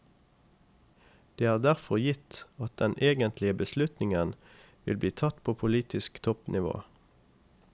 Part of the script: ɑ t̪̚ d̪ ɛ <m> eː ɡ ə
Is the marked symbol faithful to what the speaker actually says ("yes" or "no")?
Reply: no